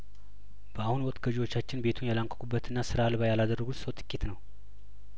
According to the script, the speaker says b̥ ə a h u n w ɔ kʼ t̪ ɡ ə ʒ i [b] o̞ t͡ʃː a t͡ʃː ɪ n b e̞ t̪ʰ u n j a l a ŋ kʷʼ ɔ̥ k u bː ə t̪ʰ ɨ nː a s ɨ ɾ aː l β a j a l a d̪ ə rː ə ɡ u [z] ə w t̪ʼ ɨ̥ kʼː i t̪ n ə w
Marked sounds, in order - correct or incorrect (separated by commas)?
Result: incorrect, incorrect